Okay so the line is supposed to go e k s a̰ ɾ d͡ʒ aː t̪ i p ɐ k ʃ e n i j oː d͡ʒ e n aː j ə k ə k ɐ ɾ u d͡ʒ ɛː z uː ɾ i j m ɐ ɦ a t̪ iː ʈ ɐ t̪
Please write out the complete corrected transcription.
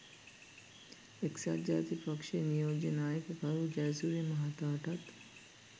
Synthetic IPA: e k s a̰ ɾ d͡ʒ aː t̪ i p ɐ k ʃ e n i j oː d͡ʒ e n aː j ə k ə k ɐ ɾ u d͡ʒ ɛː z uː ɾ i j m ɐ ɦ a t̪ aː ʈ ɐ t̪